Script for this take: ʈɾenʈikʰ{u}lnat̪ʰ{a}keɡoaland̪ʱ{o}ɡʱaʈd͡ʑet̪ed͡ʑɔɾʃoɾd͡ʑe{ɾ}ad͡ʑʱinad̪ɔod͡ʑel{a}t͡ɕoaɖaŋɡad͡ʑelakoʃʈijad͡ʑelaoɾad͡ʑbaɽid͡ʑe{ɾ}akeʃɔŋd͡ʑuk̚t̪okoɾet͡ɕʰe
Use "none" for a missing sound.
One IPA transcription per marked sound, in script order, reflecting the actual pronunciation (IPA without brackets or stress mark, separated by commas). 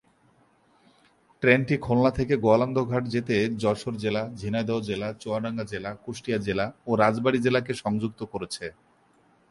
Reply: o, e, o, l, a, l